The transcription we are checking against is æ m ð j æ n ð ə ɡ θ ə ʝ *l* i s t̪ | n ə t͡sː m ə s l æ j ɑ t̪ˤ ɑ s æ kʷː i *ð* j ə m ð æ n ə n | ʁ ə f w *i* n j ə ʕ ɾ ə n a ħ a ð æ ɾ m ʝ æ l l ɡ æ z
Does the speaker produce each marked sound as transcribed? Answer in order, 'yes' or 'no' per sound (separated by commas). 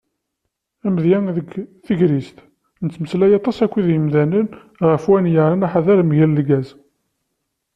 no, yes, no